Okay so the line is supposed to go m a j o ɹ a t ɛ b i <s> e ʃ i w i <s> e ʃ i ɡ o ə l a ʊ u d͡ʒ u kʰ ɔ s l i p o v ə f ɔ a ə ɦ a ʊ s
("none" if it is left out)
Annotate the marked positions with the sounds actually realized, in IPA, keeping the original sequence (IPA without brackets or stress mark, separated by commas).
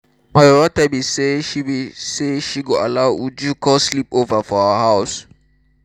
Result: s, s